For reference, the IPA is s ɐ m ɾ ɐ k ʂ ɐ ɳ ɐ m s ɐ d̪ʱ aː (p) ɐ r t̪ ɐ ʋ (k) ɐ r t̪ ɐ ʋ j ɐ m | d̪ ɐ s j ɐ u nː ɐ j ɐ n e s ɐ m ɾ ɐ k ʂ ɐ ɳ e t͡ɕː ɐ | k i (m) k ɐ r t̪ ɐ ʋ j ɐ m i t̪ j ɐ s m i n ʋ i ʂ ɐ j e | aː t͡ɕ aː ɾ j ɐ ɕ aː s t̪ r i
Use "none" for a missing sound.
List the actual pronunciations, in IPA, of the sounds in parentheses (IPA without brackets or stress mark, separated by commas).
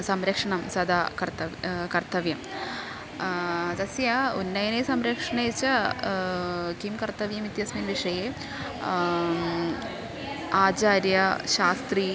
k, k, m